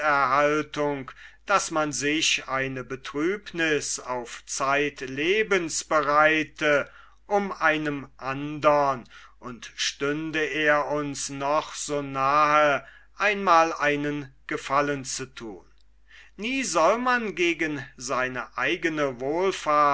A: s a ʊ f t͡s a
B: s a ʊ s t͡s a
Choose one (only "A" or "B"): A